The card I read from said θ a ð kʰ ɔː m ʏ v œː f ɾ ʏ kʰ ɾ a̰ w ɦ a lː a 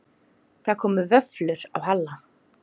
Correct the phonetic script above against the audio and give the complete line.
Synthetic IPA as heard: θ a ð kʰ ɔː m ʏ v œ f l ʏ ɾ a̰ w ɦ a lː a